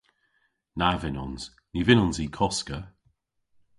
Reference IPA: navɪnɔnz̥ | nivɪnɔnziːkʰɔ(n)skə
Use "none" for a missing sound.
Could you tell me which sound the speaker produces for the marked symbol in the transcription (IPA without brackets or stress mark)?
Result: none